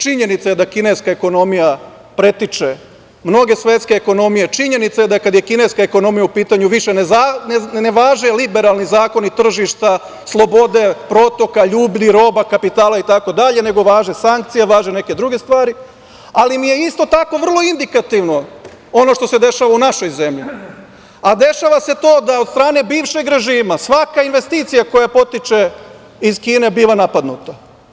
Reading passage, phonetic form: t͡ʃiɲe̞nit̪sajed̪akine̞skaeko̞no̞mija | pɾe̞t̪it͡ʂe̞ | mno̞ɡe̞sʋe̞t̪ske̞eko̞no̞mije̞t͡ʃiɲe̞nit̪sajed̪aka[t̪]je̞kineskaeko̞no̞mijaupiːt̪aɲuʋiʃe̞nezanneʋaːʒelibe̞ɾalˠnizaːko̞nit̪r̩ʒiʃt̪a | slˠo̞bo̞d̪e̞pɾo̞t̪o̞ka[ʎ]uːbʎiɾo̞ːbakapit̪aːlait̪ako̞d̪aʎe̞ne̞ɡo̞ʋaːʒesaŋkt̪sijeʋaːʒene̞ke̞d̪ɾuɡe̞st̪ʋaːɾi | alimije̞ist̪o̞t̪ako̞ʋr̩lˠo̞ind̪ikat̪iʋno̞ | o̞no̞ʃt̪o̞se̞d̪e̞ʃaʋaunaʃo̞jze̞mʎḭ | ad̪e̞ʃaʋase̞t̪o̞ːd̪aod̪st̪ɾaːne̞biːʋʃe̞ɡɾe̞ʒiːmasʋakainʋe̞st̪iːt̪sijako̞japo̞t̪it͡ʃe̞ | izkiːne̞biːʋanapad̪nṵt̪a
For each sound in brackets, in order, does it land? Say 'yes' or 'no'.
no, yes

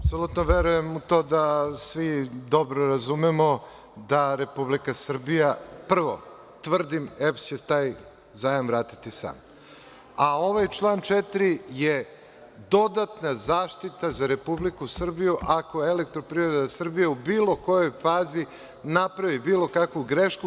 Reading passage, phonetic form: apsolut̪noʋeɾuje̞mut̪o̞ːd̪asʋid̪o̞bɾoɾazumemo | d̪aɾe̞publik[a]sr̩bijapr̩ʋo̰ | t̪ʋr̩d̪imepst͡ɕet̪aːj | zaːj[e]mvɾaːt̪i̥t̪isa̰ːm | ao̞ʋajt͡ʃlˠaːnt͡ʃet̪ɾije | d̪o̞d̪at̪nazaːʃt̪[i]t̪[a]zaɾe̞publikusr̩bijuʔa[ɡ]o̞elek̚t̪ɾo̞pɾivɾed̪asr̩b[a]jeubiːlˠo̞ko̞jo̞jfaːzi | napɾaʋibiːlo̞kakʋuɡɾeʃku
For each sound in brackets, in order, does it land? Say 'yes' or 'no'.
yes, no, yes, yes, no, no

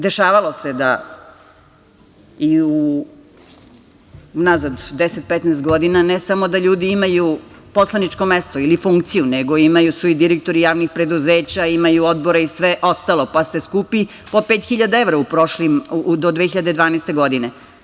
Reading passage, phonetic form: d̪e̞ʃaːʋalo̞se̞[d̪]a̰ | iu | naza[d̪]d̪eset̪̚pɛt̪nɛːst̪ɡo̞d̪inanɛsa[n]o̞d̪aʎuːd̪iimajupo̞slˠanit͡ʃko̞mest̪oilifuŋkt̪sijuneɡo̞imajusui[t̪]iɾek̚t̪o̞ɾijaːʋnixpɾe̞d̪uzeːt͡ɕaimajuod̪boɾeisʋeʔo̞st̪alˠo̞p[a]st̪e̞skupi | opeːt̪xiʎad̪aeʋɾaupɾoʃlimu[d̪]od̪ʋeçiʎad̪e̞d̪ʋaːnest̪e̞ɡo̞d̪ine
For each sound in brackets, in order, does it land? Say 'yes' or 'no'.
yes, yes, no, no, yes, yes

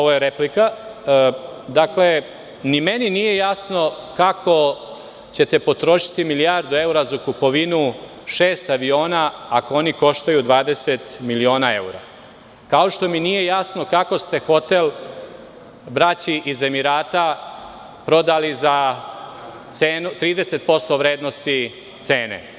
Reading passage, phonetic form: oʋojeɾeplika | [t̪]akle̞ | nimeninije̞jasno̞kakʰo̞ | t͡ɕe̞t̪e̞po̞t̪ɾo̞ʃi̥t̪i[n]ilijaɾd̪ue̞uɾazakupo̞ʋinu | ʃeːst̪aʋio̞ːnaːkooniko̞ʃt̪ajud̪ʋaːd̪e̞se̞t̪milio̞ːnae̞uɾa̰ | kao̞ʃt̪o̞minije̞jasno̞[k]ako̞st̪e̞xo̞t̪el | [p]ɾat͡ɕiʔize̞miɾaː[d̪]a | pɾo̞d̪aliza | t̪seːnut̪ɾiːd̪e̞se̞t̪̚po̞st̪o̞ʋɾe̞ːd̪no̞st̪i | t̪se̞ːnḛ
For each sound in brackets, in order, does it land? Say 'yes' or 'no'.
no, no, yes, no, no

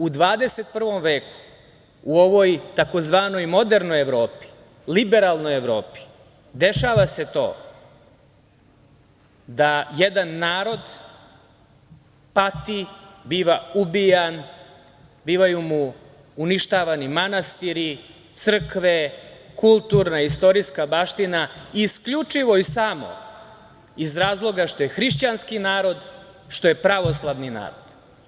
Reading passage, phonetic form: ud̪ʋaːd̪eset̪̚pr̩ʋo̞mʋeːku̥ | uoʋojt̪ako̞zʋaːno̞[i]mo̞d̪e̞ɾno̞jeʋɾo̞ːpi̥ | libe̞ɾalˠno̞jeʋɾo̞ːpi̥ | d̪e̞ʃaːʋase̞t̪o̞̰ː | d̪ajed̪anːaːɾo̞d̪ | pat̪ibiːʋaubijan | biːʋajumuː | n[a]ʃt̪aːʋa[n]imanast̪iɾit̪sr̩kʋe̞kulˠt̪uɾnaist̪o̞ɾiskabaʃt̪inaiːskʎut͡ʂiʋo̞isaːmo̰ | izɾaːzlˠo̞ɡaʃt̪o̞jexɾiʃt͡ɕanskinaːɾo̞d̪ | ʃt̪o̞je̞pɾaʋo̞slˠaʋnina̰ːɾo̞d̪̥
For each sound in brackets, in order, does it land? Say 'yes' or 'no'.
no, no, yes

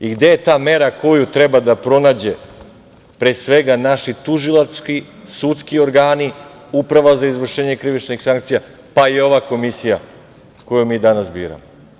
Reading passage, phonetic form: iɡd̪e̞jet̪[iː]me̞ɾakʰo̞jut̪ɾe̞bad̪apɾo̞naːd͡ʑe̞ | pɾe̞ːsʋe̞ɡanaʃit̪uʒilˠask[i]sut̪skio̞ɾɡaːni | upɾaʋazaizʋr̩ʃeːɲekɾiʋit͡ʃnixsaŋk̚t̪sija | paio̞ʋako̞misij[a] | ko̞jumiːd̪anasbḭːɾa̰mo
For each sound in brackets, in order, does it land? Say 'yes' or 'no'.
no, yes, yes

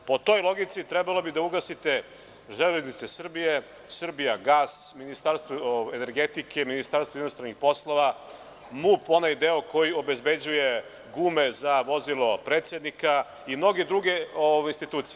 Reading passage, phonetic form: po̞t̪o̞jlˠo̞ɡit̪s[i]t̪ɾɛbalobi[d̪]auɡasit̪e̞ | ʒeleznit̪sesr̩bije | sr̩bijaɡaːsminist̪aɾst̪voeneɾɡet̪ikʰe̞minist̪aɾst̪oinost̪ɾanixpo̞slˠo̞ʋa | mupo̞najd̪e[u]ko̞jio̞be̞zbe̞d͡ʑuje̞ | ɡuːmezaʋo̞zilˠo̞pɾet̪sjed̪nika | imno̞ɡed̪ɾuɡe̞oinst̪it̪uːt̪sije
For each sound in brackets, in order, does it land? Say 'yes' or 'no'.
yes, yes, no

